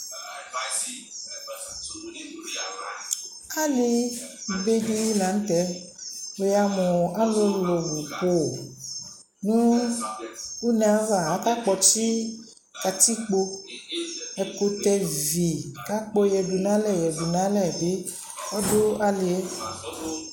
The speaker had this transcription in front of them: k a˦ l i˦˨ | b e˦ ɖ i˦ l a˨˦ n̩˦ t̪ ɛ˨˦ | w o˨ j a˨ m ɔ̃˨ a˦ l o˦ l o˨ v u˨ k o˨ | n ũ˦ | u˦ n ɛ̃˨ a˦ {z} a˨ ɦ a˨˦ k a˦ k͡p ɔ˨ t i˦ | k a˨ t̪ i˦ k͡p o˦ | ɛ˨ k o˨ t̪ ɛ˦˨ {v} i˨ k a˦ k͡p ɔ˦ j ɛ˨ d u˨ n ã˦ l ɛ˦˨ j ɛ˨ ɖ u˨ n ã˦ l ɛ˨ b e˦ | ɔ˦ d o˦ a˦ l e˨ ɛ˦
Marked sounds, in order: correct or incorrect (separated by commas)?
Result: incorrect, correct